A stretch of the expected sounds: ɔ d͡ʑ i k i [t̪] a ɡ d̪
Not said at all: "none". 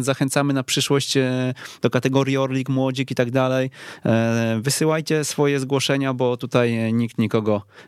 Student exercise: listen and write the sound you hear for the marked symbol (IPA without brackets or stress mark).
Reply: t̪